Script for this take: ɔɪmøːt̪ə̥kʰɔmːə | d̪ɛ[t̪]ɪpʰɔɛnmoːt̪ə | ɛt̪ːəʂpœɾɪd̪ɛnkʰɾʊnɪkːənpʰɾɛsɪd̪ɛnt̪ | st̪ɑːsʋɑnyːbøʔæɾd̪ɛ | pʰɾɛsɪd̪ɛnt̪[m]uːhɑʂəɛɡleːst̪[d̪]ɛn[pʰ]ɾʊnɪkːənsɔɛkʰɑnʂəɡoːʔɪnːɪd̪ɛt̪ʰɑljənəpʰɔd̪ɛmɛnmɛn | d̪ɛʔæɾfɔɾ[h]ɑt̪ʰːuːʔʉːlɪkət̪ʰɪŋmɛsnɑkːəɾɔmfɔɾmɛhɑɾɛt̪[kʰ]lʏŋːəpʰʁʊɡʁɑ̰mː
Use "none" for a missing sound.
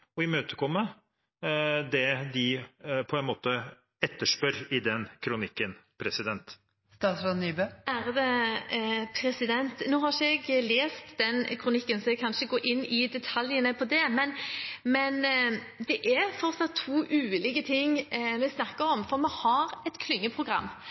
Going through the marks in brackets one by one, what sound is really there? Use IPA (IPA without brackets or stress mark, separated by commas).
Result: d̪, n, d̪, kʰ, s, kʰ